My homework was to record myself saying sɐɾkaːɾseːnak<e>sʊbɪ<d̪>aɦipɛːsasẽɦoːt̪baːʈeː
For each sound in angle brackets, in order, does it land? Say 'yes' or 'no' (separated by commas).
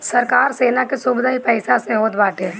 yes, yes